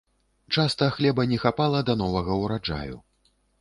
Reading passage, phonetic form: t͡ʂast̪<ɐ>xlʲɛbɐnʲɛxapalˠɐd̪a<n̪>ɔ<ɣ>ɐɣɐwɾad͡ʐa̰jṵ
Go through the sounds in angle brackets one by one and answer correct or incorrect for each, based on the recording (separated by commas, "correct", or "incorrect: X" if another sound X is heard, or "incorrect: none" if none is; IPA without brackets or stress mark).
correct, correct, incorrect: v